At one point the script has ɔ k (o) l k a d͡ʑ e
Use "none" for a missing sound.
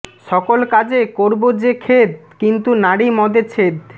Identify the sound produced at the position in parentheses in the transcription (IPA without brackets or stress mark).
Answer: o